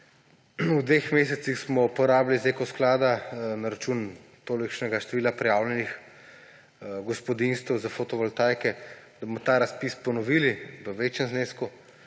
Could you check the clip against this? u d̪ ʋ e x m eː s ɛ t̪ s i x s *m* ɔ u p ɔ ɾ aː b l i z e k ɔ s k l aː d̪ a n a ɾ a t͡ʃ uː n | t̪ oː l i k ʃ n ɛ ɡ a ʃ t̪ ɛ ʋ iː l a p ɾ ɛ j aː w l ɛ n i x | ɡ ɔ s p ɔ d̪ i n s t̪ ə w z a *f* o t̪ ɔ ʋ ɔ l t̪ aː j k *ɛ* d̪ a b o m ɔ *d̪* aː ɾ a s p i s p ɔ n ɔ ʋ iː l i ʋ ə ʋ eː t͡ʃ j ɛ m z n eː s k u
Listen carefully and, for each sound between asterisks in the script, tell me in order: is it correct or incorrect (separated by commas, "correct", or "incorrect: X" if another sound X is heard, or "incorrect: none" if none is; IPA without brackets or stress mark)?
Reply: correct, correct, correct, incorrect: t̪